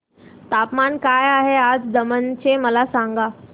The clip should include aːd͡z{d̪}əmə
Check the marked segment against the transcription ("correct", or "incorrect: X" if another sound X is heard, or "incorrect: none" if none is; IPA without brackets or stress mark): correct